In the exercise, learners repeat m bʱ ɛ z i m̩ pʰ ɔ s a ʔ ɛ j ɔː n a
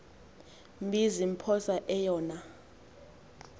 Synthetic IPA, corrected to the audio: m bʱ i z i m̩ pʰ ɔ s a ʔ ɛ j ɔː n a